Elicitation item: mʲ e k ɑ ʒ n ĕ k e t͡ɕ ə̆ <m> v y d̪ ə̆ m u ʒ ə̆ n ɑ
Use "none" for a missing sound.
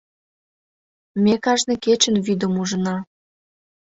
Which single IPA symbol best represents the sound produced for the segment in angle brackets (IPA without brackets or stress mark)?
n